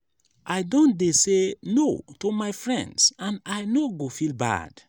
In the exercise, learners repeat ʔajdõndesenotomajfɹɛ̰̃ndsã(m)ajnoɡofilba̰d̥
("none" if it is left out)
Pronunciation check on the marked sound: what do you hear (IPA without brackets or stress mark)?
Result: n